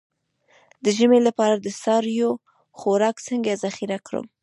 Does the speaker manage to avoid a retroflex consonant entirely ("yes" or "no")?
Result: yes